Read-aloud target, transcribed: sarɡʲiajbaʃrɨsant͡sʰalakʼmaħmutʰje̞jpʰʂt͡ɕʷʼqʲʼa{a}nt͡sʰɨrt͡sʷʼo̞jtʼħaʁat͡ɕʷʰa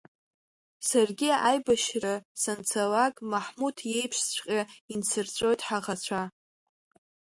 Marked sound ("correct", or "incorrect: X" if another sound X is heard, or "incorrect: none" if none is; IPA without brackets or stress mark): incorrect: i